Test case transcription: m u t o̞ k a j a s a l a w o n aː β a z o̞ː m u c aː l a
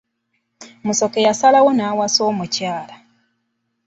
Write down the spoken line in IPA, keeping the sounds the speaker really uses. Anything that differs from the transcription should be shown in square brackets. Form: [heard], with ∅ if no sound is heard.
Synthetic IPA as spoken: m u [s] o̞ k [e] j a s a l a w o n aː [w] a [s] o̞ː m u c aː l a